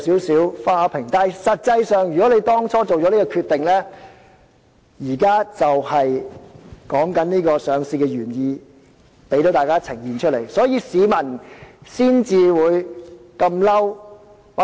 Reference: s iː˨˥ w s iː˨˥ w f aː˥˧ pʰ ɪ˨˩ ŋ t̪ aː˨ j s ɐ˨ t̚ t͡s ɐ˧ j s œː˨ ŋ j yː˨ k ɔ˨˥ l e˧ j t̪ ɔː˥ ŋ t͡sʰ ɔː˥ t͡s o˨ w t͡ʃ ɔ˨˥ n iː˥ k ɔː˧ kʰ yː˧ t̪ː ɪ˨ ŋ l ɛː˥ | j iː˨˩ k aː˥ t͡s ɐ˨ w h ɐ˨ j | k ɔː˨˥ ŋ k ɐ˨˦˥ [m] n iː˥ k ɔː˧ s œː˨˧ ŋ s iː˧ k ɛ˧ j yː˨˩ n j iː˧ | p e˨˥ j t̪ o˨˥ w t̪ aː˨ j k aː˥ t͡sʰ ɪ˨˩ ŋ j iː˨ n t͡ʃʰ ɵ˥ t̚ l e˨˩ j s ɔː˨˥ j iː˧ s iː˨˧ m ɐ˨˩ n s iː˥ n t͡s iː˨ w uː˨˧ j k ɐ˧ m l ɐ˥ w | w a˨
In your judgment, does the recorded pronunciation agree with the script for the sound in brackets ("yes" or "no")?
no